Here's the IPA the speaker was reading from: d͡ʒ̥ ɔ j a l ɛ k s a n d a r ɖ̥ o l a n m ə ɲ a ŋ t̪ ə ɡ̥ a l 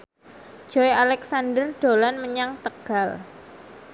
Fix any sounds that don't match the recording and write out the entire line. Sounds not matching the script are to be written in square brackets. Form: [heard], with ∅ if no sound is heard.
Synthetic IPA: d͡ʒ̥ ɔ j a l ɛ k s a n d [ə] r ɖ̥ o l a n m ə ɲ a ŋ t̪ ə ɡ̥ a l